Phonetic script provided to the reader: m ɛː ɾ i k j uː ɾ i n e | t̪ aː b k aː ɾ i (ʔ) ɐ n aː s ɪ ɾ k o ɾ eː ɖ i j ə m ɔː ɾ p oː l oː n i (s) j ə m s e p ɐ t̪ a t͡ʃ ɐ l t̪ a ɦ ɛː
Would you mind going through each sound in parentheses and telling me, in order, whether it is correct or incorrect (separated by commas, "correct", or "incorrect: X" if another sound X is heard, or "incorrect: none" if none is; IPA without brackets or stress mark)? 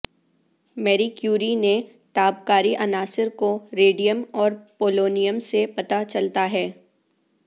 correct, incorrect: none